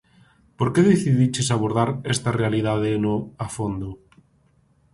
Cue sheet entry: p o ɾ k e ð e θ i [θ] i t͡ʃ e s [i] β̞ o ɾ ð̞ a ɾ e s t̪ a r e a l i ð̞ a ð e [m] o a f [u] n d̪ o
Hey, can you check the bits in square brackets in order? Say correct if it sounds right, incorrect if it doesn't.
incorrect: ð, incorrect: a, incorrect: n, incorrect: o

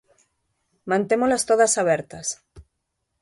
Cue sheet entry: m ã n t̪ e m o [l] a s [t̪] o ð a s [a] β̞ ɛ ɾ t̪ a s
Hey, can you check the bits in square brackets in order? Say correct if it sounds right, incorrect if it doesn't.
correct, correct, correct

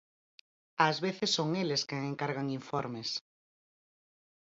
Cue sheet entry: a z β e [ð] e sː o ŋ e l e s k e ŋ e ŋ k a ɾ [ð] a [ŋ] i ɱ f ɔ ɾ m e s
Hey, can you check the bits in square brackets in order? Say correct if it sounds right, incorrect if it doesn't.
incorrect: θ, incorrect: ɣ, correct

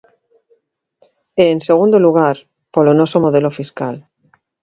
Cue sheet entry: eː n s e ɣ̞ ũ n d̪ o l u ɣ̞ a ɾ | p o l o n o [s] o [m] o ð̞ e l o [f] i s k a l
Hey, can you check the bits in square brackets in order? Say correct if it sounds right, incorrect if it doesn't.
correct, correct, correct

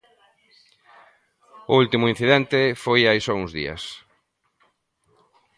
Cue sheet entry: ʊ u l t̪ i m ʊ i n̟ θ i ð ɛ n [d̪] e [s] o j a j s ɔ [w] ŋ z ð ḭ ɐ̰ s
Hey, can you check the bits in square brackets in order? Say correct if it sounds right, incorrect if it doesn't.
incorrect: t̪, incorrect: f, incorrect: u

